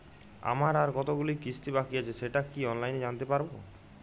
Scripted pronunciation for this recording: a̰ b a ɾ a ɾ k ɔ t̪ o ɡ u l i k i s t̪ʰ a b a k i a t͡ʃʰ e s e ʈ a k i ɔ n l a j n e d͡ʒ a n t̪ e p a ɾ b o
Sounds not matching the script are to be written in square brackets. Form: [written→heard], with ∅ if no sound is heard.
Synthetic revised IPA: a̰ [b→m] a ɾ a ɾ k ɔ t̪ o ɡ u l i k i s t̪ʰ [a→i] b a k i a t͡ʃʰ e s e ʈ a k i ɔ n l a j n e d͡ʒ a n t̪ e p a ɾ b o